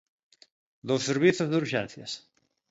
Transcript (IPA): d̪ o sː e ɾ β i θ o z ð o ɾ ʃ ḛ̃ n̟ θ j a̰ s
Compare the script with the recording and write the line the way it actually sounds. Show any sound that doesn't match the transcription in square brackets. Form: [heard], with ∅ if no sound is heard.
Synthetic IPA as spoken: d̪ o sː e ɾ β i θ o z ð [u] ɾ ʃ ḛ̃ n̟ θ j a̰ s